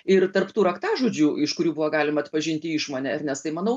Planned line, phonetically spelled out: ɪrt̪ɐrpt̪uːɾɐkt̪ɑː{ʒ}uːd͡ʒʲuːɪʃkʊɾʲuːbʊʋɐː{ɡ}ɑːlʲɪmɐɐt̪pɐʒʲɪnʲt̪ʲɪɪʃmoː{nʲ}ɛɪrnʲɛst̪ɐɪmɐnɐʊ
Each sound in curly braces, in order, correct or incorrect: correct, correct, correct

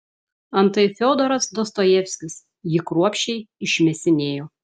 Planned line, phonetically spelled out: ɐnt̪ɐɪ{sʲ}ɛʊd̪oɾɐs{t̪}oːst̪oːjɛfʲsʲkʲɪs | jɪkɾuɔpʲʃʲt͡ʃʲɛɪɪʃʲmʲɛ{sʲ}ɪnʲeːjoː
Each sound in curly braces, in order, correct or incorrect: incorrect: fʲ, incorrect: d̪, correct

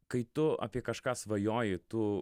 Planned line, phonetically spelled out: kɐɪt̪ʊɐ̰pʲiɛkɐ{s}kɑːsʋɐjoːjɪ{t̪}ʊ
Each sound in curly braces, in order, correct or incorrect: incorrect: ʃ, correct

